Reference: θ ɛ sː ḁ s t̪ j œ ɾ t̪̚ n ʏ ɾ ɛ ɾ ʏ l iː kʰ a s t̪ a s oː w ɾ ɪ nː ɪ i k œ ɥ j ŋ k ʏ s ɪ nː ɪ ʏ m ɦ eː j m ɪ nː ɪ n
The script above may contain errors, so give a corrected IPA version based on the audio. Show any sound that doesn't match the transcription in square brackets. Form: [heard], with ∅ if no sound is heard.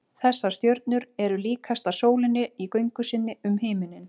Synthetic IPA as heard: θ ɛ sː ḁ s t̪ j œ ɾ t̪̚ n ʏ ɾ ɛ ɾ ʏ l iː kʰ a s t̪ a s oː w [l] ɪ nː ɪ i k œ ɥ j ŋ k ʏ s ɪ nː ɪ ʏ m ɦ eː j m ɪ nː ɪ n